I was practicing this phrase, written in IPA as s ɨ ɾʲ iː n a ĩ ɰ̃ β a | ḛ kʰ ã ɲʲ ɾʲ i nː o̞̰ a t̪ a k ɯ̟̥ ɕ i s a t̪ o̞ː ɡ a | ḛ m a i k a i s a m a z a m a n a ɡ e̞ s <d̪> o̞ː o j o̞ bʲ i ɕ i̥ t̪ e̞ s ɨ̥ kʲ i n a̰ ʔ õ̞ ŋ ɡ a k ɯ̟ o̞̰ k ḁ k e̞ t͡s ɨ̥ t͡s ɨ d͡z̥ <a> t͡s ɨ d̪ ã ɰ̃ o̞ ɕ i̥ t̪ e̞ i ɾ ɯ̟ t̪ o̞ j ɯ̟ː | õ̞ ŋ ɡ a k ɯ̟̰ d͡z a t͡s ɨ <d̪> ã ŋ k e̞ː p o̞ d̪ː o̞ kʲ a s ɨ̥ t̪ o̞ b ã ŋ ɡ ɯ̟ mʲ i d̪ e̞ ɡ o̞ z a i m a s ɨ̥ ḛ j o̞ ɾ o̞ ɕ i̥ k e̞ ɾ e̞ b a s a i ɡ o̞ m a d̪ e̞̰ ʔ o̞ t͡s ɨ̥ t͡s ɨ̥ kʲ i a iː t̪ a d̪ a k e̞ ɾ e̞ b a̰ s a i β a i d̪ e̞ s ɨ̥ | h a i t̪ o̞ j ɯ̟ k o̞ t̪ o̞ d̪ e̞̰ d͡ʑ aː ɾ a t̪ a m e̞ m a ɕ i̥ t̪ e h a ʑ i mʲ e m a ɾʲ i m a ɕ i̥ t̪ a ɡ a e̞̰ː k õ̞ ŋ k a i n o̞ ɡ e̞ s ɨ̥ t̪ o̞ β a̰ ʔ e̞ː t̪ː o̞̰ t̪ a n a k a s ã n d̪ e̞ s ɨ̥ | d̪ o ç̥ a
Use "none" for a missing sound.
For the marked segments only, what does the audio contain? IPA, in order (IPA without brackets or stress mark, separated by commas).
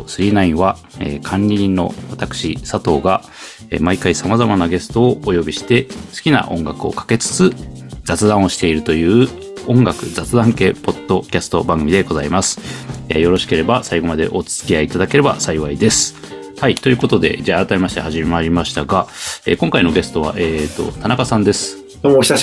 t̪, a, d̪